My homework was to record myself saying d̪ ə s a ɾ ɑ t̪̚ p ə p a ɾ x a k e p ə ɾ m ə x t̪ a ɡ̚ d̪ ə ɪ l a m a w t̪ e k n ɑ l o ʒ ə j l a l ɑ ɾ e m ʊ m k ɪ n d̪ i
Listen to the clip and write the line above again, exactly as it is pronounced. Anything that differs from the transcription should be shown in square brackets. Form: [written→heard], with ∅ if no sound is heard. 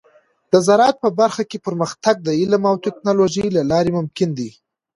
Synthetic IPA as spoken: d̪ ə [s→z] a ɾ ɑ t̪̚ p ə [p→b] a ɾ x a k e p ə ɾ m ə x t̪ a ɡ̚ d̪ ə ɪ l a m a w t̪ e k n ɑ l o ʒ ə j l a l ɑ ɾ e m ʊ m k ɪ n d̪ i